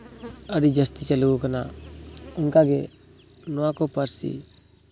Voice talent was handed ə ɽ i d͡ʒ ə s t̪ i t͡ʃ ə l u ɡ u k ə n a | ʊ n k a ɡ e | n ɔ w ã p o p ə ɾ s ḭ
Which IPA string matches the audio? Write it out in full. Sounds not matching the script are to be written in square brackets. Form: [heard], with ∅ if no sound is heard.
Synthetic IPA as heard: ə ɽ i d͡ʒ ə s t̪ i t͡ʃ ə l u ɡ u k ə n a | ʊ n k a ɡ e | n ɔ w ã [k] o p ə ɾ s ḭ